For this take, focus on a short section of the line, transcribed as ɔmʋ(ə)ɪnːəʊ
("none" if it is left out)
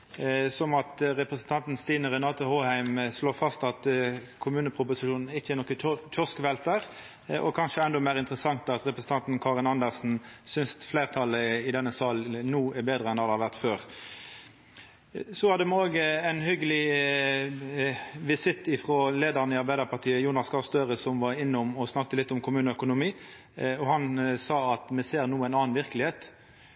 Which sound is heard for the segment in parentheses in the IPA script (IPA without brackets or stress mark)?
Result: ɑ